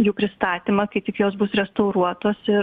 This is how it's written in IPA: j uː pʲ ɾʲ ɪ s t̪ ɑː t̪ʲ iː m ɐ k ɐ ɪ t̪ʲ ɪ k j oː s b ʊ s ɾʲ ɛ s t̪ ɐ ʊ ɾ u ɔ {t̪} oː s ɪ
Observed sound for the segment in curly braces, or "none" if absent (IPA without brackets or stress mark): t̪